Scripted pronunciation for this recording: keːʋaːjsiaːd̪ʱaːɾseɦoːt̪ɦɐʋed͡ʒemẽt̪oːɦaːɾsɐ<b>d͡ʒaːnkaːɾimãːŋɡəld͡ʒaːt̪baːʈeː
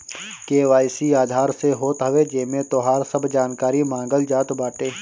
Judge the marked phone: correct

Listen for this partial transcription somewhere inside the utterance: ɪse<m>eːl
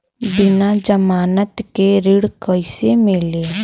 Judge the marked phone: correct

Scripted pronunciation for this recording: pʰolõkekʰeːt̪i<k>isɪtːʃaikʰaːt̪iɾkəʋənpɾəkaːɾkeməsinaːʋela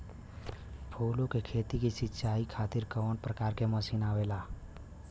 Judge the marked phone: correct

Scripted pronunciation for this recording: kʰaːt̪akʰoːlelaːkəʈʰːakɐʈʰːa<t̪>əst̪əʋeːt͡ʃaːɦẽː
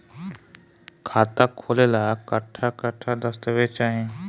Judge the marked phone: incorrect: d̪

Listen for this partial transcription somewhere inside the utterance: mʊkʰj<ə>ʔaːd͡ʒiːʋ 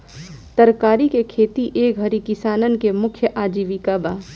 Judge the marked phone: correct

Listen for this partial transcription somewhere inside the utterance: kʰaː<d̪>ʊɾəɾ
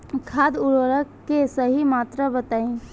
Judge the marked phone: correct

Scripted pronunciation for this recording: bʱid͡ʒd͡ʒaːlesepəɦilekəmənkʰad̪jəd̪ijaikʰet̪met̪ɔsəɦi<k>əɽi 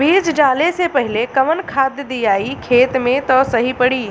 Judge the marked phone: incorrect: p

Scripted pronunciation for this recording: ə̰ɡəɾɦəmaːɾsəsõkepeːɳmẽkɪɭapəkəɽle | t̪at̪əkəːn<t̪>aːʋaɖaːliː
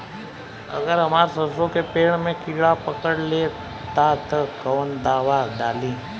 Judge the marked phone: incorrect: d̪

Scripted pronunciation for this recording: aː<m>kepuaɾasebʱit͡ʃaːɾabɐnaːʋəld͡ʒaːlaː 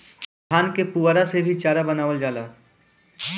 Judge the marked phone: incorrect: n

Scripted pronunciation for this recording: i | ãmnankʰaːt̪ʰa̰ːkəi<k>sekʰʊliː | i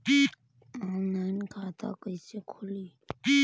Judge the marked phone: incorrect: none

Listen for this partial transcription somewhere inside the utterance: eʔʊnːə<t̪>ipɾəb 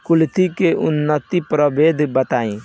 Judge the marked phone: correct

